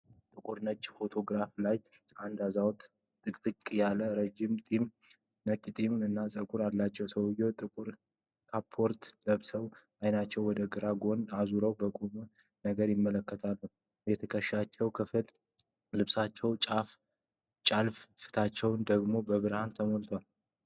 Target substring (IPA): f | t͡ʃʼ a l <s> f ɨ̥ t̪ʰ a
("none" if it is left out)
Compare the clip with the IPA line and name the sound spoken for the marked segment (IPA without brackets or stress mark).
f